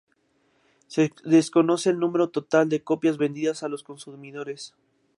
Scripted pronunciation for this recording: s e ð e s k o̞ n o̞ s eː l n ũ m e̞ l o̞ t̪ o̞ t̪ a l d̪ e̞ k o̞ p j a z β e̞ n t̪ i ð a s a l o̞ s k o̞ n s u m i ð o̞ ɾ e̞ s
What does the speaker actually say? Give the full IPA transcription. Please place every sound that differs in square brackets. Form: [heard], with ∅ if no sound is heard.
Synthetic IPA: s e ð e s k o̞ n o̞ s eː l n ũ m e̞ [ɾ] o̞ t̪ o̞ t̪ a l d̪ e̞ k o̞ p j a z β e̞ n [d̪] i ð a s a l o̞ s k o̞ n s u m i ð o̞ ɾ e̞ s

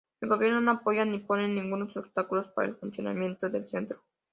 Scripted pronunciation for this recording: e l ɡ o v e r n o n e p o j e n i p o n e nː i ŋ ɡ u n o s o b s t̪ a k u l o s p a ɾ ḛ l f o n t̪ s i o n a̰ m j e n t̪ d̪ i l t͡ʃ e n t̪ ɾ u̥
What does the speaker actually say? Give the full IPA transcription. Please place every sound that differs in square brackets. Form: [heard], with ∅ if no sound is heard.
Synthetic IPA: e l ɡ o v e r n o n [a] p o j [a] n i p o n e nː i ŋ ɡ u n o s o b s t̪ a k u l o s p a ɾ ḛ l f [u] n t̪ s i o n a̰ m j e n t̪ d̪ [e] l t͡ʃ e n t̪ ɾ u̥

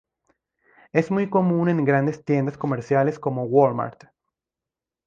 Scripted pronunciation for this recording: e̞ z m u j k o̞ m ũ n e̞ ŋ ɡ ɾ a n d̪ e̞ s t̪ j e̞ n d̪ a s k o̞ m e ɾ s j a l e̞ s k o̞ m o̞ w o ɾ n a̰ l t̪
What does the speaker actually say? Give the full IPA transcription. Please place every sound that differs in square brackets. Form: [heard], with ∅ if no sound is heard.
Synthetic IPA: e̞ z m u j k o̞ m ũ n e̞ ŋ ɡ ɾ a n d̪ e̞ s t̪ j e̞ n d̪ a s k o̞ m e ɾ s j a l e̞ s k o̞ m o̞ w o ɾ [m] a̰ [ɾ] t̪

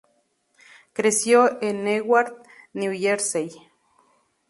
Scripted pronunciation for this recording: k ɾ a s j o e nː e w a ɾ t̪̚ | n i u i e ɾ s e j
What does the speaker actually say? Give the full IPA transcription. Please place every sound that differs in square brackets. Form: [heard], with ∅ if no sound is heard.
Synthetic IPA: k ɾ [e] s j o e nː e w a ɾ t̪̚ | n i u [j] e ɾ s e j

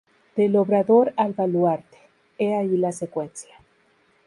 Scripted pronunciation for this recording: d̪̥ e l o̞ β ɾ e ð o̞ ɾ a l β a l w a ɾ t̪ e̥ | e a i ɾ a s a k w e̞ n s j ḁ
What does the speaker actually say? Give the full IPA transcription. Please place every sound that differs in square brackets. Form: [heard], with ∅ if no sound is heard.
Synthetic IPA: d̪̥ e l o̞ β ɾ [a] ð o̞ ɾ a l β a l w a ɾ t̪ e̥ | e a i [l] a s [e] k w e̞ n s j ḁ

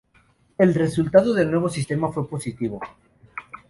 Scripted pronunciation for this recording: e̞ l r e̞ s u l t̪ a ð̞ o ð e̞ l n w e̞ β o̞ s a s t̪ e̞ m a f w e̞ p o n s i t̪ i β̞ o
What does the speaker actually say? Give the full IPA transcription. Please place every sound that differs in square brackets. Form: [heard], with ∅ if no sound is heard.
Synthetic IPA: e̞ l r e̞ s u l t̪ a ð̞ o ð e̞ l n w e̞ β o̞ s [i] s t̪ e̞ m a f w e̞ p o [∅] s i t̪ i β̞ o

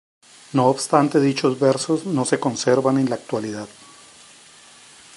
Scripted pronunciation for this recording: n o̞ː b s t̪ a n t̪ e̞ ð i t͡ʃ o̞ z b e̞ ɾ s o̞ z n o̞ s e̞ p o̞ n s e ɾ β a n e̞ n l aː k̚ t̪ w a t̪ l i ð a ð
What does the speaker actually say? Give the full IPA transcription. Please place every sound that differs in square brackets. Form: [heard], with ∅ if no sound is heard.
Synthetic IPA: n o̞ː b s t̪ a n t̪ e̞ ð i t͡ʃ o̞ z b e̞ ɾ s o̞ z n o̞ s e̞ [k] o̞ n s e ɾ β a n e̞ n l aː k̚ t̪ w a [∅] l i ð a ð

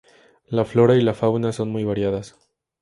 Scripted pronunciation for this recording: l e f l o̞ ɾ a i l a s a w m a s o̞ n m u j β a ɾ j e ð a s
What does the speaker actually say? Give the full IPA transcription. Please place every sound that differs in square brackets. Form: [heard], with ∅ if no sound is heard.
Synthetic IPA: l [a] f l o̞ ɾ a i l a [f] a w [n] a s o̞ n m u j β a ɾ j [a] ð a s

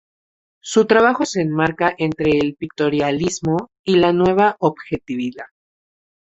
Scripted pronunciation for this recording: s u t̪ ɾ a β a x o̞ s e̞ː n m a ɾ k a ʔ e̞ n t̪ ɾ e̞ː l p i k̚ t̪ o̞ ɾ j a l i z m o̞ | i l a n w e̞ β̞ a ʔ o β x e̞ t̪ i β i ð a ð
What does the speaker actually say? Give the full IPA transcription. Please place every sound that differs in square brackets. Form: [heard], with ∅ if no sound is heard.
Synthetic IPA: s u t̪ ɾ a β a x o̞ s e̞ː n m a ɾ k a ʔ e̞ n t̪ ɾ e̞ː l p i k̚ t̪ o̞ ɾ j a l i z m o̞ | i l a n w e̞ β̞ a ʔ o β x e̞ t̪ i β i ð a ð

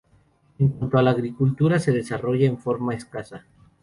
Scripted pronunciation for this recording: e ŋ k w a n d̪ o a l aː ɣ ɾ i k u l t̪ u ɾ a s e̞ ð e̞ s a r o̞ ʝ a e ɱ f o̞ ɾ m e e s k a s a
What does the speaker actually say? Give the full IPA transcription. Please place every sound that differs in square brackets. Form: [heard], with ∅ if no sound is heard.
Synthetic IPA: e ŋ k w a n [t̪] o a l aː ɣ ɾ i k u l t̪ u ɾ a s e̞ ð e̞ s a r o̞ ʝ a e ɱ f o̞ ɾ m [a] e s k a s a

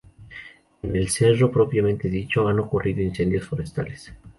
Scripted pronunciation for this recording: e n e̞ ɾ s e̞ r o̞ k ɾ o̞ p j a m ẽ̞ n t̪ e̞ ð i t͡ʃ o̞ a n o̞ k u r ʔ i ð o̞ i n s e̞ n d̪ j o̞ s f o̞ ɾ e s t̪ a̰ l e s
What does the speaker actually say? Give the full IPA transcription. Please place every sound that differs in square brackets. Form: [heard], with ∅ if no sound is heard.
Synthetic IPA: e n e̞ [l] s e̞ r o̞ [p] ɾ o̞ p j a m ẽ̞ n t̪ e̞ ð i t͡ʃ o̞ a n o̞ k u r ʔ i ð o̞ i n s e̞ n d̪ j o̞ s f o̞ ɾ e s t̪ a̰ l e s

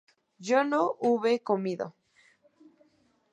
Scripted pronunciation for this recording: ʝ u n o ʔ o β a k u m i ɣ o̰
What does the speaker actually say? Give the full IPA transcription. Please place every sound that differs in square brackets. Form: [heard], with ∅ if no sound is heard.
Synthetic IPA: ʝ [o] n o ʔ [u] β [e] k [o] m i [ð] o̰

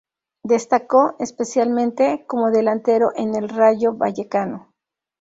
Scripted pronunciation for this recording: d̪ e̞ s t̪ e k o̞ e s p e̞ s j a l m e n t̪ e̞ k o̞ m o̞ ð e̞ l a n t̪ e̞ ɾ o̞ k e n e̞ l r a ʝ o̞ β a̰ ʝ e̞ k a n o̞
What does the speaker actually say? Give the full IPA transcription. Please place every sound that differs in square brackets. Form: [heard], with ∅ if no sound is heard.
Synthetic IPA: d̪ e̞ s t̪ [a] k o̞ e s p e̞ s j a l m [ẽ] n t̪ e̞ k o̞ m o̞ ð e̞ l a n t̪ e̞ ɾ o̞ [ʔ] e n e̞ l r a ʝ o̞ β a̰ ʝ e̞ k a n o̞

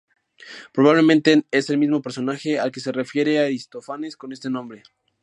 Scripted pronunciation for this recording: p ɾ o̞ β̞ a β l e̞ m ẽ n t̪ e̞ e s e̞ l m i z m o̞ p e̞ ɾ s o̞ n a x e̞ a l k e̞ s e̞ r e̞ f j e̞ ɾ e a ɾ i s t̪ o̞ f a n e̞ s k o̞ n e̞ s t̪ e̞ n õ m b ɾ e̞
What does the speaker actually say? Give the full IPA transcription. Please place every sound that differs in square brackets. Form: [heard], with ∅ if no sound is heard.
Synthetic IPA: p ɾ o̞ β̞ a β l e̞ m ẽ n t̪ e̞ e s e̞ l m i z m o̞ p e̞ ɾ s o̞ n a x e̞ a l k e̞ s e̞ r e̞ f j e̞ ɾ e a ɾ i s t̪ o̞ f a n e̞ s k o̞ n e̞ s t̪ e̞ n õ m b ɾ e̞

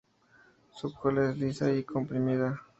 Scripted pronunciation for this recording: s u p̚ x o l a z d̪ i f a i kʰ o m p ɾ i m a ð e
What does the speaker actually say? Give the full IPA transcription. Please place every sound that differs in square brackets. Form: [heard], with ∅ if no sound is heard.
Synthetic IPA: s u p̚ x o l [e] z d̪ i [s] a i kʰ o m p ɾ i m [i] ð [a]

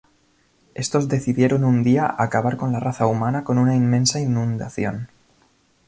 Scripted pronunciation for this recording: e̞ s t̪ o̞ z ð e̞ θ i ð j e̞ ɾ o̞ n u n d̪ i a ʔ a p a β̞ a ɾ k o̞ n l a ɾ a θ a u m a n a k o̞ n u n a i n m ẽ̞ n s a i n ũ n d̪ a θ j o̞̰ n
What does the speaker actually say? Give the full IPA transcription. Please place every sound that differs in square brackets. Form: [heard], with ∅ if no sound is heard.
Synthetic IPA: e̞ s t̪ o̞ z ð e̞ θ i ð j e̞ ɾ o̞ n u n d̪ i a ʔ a [k] a β̞ a ɾ k o̞ n l a [r] a θ a u m a n a k o̞ n u n a i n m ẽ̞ n s a i n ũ n d̪ a θ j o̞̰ n

